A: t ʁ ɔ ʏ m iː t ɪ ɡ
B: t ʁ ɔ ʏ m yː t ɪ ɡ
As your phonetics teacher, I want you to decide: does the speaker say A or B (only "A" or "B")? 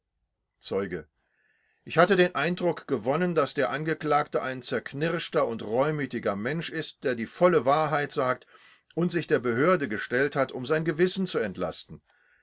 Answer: B